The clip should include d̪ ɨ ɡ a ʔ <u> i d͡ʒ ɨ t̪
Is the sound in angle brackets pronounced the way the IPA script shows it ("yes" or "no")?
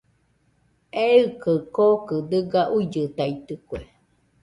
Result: yes